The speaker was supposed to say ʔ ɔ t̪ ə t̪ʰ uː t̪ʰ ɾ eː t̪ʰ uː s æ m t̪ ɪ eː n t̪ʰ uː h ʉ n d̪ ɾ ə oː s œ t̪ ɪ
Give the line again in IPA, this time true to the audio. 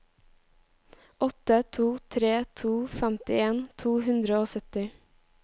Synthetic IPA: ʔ ɔ t̪ ə t̪ʰ uː t̪ʰ ɾ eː t̪ʰ uː f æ m t̪ ɪ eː n t̪ʰ uː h ʉ n d̪ ɾ ə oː s œ t̪ ɪ